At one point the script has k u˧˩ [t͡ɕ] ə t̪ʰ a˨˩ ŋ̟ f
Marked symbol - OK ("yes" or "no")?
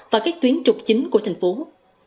no